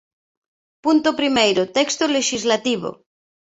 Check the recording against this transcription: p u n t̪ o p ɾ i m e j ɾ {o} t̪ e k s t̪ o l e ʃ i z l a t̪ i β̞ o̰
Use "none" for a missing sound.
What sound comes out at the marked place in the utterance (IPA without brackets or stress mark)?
o